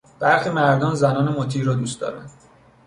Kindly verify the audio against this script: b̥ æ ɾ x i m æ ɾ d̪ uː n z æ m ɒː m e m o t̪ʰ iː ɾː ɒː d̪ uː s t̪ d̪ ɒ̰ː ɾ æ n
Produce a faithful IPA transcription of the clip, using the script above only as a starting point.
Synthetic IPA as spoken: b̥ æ ɾ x i m æ ɾ d̪ ɒː n z æ n ɒː n e m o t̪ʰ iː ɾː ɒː d̪ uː s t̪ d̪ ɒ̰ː ɾ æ n

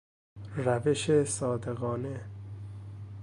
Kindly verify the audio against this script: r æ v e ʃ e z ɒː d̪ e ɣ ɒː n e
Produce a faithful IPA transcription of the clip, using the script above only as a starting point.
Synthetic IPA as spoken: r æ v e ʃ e s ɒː d̪ e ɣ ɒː n e

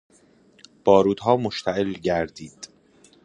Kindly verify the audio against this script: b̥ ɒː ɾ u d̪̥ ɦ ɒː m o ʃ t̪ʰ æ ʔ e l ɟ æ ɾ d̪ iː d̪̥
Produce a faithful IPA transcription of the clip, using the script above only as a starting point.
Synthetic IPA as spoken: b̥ ɒː ɾ uː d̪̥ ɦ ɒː m o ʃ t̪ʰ æ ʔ e l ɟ æ ɾ d̪ iː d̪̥

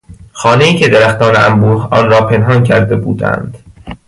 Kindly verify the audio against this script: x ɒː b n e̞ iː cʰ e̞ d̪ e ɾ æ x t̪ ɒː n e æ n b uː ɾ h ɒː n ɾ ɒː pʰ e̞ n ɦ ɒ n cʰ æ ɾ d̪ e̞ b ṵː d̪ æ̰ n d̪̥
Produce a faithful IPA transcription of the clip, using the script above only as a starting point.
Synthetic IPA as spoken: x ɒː n e̞ iː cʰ e̞ d̪ e ɾ æ x t̪ ɒː n e æ m b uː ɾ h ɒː n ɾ ɒː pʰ e̞ n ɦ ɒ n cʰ æ ɾ d̪ e̞ b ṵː d̪ æ̰ n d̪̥

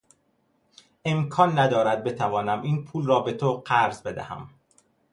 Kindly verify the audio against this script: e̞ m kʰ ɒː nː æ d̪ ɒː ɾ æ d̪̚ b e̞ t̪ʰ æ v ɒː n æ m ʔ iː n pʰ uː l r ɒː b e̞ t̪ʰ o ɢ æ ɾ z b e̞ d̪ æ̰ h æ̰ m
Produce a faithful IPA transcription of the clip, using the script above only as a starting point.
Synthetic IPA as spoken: e̞ m kʰ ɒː nː æ d̪ ɒː ɾ æ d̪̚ b e̞ t̪ʰ æ v ɒː n æ m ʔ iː n pʰ uː l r ɒː b e̞ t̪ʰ o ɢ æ ɾ z b e̞ d̪ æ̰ h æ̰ m

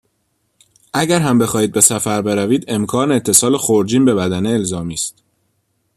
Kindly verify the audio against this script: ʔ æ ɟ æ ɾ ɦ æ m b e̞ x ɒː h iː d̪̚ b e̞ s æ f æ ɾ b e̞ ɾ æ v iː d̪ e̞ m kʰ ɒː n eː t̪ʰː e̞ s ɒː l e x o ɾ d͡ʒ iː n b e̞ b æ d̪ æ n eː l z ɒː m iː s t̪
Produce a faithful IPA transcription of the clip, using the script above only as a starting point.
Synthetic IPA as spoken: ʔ æ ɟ æ ɾ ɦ æ m b e̞ x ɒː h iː d̪̚ b e̞ s æ f æ ɾ b e̞ ɾ æ v iː d̪ e̞ m kʰ ɒː n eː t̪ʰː e̞ s ɒː l e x o ɾ d͡ʒ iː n b e̞ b æ d̪ æ n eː l z ɒː m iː s t̪

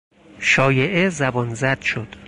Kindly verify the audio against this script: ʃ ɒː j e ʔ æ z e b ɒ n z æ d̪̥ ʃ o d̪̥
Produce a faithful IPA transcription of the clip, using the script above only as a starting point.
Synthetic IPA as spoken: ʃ ɒː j e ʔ e z æ b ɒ n z æ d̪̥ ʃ o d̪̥

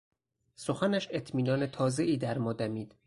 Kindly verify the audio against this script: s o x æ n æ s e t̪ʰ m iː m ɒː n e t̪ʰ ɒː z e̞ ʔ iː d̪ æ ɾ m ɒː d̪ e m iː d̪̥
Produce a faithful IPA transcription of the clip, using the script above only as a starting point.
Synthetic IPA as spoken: s o x æ n æ ʃ e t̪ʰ m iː n ɒː n e t̪ʰ ɒː z e̞ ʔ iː d̪ æ ɾ m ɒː d̪ æ m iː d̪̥

